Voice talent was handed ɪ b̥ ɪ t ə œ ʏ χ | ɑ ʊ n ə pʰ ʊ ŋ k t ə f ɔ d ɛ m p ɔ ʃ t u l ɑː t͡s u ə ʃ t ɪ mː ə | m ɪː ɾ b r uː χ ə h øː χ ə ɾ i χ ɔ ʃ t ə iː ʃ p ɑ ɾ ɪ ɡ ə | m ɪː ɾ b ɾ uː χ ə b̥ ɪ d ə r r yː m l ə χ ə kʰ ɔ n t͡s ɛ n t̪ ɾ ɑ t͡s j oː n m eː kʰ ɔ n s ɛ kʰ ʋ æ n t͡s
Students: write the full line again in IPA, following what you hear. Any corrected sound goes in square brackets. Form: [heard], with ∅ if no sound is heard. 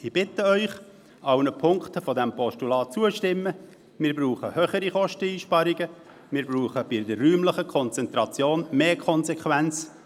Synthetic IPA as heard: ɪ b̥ ɪ t ə œ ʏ χ | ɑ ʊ n ə pʰ ʊ ŋ k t ə f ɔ d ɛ m p ɔ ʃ t u l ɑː t͡s u ə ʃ t ɪ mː ə | m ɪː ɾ b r uː χ ə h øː χ ə ɾ i χ ɔ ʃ t ə iː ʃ p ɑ ɾ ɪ ɡ ə | m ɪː ɾ b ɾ uː χ ə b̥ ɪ d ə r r yː m l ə χ ə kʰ ɔ n t͡s ɛ n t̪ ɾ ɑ t͡s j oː n m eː kʰ ɔ n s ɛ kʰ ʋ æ n t͡s